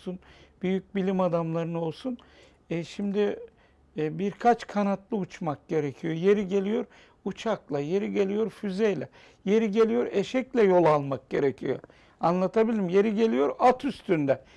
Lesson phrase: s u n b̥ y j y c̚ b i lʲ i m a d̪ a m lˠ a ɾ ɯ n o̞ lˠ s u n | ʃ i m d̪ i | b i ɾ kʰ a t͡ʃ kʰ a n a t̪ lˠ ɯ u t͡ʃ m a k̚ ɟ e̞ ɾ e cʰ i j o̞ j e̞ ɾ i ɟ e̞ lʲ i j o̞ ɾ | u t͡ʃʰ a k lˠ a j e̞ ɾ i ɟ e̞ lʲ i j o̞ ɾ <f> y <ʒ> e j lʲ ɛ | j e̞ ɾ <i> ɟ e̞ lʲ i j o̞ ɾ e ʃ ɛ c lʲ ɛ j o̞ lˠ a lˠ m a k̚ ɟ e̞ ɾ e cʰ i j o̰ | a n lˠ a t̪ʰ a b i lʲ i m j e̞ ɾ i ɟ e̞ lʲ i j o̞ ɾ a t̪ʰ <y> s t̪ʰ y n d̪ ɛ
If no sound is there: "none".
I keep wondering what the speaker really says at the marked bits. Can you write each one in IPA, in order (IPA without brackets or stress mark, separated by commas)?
f, z, i, y